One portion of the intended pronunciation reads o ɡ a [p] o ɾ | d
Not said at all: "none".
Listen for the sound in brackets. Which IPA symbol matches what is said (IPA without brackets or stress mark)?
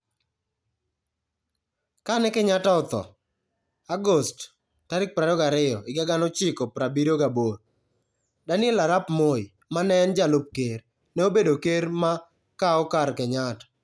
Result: b